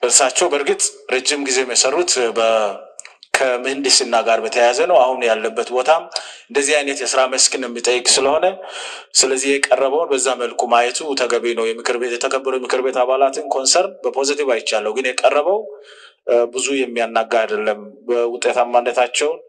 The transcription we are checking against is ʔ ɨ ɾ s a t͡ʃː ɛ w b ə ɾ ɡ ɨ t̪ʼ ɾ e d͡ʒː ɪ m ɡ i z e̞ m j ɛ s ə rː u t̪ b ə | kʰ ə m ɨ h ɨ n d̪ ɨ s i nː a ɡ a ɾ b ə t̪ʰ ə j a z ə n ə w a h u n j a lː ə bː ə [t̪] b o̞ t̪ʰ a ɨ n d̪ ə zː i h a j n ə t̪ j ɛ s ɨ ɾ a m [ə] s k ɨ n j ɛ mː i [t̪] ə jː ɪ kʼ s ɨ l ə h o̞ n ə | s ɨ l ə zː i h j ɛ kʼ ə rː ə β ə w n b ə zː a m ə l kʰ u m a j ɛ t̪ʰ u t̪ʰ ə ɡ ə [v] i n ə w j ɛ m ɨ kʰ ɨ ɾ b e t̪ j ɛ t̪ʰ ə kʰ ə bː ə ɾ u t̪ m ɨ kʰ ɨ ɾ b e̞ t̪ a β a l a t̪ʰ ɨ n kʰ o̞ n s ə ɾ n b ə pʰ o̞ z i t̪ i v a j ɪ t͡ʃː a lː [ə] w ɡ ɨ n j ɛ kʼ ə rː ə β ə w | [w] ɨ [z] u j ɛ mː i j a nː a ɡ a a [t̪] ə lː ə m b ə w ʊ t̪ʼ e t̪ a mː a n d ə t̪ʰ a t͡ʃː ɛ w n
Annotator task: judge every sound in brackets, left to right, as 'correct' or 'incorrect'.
correct, correct, incorrect: t̪ʼ, incorrect: β, correct, incorrect: b, correct, incorrect: d̪

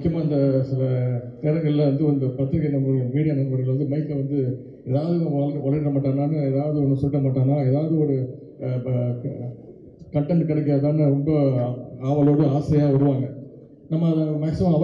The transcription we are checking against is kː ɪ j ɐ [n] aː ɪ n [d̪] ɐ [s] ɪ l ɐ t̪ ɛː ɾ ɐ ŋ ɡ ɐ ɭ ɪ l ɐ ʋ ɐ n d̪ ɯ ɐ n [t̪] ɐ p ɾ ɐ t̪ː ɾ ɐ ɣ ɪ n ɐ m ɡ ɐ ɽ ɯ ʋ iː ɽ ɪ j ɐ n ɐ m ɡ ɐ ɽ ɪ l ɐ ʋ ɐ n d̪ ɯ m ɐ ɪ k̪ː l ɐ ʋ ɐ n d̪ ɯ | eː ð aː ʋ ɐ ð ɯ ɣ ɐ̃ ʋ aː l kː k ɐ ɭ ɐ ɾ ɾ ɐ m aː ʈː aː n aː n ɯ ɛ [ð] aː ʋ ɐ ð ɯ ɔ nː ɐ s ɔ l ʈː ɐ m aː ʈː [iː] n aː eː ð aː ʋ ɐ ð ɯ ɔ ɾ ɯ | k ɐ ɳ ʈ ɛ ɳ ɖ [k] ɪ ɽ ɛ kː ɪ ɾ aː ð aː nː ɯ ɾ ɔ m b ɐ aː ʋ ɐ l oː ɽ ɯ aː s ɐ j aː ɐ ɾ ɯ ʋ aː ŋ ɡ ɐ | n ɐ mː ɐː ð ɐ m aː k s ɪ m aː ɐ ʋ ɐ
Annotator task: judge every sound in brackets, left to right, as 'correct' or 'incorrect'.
incorrect: m, correct, correct, incorrect: d̪, correct, incorrect: aː, correct

